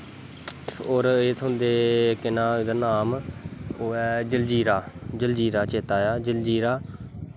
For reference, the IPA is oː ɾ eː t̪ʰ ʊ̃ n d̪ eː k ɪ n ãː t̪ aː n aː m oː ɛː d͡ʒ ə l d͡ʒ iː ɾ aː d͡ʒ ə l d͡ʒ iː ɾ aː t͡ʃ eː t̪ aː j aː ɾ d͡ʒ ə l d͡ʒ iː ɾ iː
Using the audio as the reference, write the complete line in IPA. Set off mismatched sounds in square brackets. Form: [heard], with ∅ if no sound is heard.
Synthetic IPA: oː ɾ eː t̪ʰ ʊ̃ n d̪ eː k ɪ n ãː [d̪] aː n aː m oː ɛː d͡ʒ ə l d͡ʒ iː ɾ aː d͡ʒ ə l d͡ʒ iː ɾ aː t͡ʃ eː t̪ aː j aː [∅] d͡ʒ ə l d͡ʒ iː ɾ [aː]